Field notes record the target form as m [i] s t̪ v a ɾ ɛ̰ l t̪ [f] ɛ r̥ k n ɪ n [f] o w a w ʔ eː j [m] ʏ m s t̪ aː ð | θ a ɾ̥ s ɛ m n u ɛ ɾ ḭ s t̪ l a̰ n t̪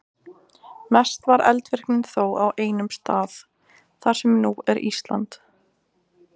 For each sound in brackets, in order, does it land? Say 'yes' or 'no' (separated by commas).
no, no, no, no